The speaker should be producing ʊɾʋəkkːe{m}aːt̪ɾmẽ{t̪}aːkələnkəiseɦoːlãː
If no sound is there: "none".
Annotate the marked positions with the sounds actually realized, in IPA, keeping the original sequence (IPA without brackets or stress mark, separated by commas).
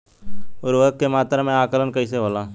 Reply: m, none